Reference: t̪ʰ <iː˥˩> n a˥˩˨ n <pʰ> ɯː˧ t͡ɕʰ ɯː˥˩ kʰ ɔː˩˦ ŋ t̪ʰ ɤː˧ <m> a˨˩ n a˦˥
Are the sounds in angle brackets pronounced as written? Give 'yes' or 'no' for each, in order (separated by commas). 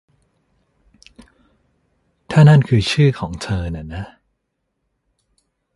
no, no, no